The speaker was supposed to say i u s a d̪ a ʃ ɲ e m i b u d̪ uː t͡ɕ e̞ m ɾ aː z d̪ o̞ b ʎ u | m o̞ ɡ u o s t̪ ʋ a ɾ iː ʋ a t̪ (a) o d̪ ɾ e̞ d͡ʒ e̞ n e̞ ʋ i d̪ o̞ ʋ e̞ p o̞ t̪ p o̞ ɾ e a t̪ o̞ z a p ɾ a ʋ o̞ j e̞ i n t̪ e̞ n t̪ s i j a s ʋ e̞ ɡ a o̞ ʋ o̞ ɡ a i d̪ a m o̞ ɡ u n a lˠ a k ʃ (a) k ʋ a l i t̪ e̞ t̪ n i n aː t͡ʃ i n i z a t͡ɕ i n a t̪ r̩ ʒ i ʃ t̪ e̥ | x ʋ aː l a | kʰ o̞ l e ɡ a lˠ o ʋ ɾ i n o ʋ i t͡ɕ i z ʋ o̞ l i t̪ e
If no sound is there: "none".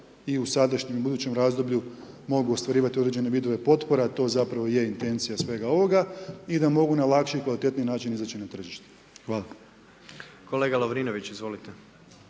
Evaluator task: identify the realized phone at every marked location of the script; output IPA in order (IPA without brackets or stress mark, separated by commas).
i, i